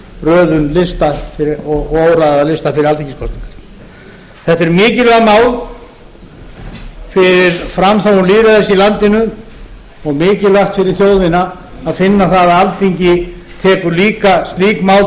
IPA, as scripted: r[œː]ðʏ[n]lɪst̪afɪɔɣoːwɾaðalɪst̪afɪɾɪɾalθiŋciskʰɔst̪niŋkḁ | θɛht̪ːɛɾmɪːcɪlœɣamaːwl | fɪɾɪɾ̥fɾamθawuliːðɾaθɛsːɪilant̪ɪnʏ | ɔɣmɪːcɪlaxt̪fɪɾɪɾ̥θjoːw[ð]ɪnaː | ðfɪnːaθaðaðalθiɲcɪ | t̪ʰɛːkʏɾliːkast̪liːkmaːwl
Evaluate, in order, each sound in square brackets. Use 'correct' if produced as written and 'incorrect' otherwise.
correct, correct, correct

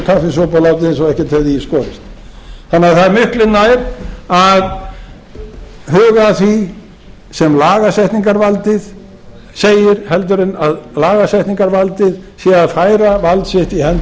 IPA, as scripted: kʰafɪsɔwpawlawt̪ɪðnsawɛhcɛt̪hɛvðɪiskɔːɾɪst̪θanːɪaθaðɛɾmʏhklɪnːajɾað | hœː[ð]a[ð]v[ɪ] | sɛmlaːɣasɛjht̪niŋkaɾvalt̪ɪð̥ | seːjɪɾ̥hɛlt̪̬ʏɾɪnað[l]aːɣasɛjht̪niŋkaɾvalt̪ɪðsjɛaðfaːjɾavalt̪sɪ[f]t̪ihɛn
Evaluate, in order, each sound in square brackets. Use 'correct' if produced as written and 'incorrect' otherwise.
incorrect, incorrect, incorrect, correct, incorrect

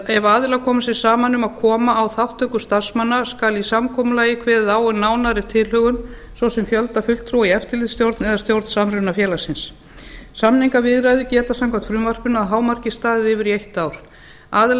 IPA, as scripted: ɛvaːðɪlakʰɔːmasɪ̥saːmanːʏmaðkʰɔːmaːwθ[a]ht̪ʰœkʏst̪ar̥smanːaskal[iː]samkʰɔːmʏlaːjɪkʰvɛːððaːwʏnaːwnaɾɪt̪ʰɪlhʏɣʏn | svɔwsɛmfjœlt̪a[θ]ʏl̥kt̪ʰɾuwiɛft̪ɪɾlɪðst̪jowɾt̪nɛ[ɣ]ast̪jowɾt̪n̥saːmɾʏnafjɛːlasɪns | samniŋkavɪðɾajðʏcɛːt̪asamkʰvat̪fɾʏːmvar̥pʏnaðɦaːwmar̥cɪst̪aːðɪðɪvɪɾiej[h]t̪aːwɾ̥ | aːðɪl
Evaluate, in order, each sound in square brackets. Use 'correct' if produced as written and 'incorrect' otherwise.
correct, incorrect, incorrect, incorrect, correct

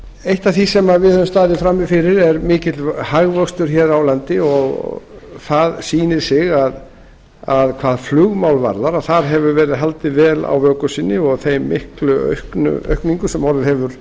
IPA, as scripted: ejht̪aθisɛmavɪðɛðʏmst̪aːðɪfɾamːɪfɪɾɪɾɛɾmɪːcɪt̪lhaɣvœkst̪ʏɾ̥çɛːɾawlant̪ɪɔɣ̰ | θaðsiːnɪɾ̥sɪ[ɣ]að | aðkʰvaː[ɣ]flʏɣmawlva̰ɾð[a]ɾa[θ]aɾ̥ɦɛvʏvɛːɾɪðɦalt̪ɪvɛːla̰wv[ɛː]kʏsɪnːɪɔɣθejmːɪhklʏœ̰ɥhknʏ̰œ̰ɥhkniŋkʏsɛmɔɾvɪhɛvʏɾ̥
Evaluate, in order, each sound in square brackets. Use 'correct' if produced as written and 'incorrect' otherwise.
correct, incorrect, correct, correct, incorrect

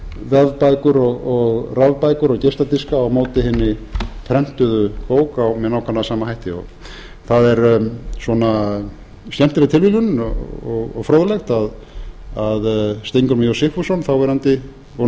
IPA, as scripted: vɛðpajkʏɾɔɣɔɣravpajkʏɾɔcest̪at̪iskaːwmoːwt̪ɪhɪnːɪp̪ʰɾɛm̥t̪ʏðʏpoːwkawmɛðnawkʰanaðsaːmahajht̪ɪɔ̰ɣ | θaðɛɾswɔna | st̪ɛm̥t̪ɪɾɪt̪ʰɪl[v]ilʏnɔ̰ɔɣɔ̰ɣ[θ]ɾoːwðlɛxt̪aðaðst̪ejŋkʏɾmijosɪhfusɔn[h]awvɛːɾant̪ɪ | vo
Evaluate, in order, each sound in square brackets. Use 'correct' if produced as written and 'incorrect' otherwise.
correct, incorrect, incorrect

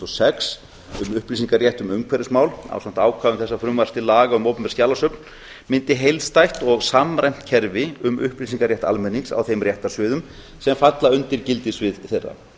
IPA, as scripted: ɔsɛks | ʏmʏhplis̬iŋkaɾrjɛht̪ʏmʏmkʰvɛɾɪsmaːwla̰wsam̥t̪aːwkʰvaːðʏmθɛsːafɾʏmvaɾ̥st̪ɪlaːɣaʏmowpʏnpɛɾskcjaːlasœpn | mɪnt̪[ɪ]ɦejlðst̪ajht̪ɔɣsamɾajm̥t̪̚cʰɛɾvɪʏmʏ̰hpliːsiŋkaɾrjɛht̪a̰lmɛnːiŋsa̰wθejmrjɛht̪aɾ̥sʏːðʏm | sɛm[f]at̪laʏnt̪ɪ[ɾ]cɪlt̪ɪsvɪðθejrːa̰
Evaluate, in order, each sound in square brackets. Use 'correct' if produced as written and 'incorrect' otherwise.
correct, correct, correct

